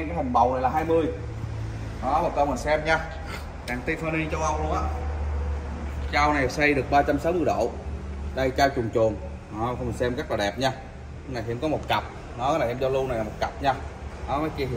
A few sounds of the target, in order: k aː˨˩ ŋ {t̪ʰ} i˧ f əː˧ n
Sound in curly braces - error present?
yes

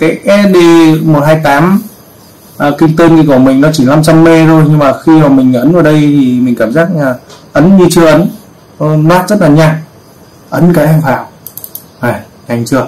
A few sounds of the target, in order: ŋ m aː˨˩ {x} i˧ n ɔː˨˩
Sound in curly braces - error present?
no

